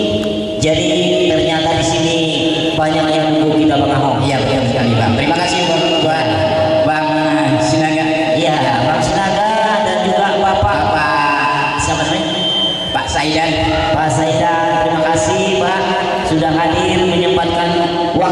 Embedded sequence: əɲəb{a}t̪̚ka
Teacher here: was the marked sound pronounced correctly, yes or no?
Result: yes